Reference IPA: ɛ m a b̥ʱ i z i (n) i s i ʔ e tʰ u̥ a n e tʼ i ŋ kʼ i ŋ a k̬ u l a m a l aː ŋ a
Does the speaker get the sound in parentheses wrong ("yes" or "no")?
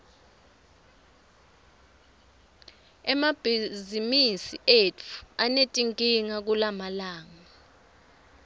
yes